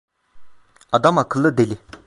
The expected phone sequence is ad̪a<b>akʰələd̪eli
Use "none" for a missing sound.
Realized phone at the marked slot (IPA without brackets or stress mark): m